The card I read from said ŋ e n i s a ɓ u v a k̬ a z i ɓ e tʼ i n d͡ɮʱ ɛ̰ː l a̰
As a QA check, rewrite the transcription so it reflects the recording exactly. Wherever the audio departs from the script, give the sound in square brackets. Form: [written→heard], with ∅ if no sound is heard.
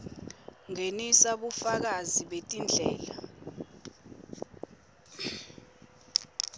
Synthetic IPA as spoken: ŋ e n i s a ɓ u [v→f] a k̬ a z i ɓ e tʼ i n d͡ɮʱ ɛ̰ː l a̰